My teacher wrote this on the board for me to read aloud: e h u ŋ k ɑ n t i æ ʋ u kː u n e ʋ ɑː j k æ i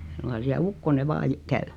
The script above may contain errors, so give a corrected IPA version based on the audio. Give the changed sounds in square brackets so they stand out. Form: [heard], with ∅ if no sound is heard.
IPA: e [s] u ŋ k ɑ n [s] i æ [∅] u kː [o] n e ʋ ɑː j k æ [y]